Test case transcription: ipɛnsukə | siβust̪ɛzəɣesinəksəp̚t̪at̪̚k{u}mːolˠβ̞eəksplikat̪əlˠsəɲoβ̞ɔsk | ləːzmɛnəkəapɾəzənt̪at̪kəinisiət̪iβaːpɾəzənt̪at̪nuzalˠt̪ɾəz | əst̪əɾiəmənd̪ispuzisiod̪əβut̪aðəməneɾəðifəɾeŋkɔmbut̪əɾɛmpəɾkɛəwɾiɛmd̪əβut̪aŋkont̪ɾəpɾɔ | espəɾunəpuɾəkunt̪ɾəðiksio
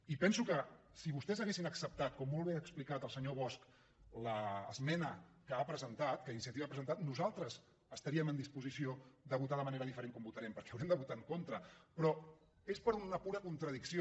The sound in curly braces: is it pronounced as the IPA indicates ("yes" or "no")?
no